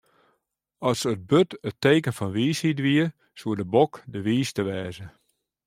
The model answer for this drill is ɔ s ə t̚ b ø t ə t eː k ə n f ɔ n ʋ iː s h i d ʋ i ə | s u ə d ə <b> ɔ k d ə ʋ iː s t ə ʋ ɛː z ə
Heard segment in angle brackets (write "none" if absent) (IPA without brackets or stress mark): b